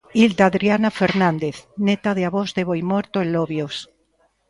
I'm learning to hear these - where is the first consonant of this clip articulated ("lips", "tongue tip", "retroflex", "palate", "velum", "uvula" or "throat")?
tongue tip